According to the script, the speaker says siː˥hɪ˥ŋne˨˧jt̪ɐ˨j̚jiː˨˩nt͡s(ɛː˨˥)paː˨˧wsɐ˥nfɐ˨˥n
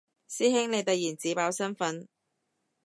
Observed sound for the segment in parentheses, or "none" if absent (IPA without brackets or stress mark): iː˨˥